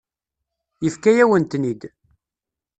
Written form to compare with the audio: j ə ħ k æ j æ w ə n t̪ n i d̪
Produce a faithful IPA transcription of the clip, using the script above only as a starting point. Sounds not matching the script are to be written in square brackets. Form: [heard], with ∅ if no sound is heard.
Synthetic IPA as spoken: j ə [f] k æ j æ w ə n t̪ n i d̪